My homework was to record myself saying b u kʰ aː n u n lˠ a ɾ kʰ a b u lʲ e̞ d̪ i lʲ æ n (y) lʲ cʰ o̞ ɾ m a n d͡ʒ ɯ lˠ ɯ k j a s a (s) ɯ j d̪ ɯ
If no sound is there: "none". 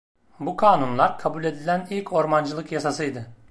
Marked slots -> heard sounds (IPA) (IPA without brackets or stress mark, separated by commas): i, s